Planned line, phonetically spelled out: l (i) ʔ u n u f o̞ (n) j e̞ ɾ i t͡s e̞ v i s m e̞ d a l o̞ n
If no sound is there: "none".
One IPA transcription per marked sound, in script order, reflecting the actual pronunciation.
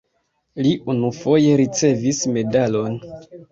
i, none

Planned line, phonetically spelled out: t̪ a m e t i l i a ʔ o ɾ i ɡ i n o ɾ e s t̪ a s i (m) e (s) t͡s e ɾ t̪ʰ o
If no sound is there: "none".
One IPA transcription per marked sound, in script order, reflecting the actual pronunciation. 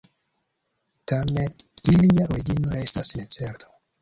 n, none

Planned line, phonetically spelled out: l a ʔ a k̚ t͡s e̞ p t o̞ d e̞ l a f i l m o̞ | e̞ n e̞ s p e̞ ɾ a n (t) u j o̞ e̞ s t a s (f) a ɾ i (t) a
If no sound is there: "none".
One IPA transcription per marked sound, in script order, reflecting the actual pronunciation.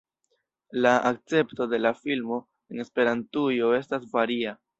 t, v, none

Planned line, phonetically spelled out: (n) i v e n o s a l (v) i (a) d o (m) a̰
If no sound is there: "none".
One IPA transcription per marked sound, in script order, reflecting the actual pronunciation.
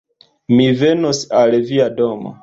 m, v, a, m

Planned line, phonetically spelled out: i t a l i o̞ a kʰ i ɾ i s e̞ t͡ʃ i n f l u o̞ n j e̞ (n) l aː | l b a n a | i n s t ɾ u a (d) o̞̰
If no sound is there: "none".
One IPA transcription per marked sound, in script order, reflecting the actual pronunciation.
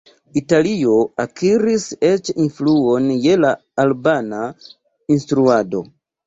none, d

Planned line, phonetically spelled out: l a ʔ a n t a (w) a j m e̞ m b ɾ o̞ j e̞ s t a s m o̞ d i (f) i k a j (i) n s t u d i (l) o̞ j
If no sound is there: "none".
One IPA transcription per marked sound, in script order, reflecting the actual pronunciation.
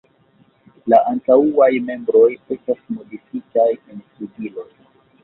u, f, e, l

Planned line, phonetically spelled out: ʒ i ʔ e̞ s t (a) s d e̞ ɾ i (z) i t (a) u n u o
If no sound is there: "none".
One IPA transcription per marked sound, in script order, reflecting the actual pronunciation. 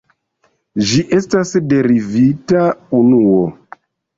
a, v, a

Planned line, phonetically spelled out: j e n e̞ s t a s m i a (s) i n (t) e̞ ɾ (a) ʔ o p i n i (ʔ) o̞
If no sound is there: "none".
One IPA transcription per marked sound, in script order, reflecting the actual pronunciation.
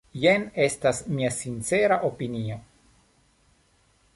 s, t͡s, a, none

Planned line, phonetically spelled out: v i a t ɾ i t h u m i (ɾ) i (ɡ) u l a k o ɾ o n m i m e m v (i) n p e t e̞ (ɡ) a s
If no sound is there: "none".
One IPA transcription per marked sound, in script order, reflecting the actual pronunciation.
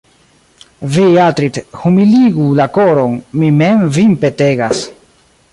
l, ɡ, i, ɡ

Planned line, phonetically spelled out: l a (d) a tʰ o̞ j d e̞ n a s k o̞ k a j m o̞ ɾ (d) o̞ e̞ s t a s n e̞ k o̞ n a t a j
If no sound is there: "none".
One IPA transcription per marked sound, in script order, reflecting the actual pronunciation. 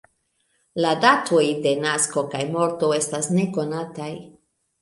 d, t

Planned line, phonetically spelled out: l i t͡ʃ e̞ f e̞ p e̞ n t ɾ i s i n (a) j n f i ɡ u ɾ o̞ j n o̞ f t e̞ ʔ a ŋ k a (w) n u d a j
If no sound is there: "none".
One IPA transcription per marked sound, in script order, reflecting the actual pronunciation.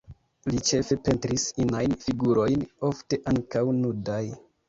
a, w

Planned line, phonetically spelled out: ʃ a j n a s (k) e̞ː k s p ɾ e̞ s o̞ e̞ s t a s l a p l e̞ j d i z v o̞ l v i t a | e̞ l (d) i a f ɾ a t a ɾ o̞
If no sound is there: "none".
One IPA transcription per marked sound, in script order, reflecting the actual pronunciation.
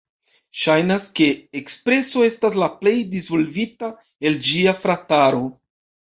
k, d͡ʒ

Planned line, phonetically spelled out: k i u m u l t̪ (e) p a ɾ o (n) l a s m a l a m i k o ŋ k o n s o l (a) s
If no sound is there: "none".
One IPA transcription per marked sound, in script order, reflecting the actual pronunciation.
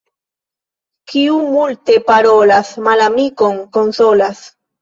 e, none, a

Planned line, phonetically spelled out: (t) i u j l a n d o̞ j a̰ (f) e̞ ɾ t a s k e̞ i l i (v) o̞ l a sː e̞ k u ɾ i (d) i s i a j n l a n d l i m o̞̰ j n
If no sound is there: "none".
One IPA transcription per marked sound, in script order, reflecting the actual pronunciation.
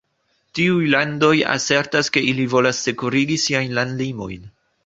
t, s, v, ɡ

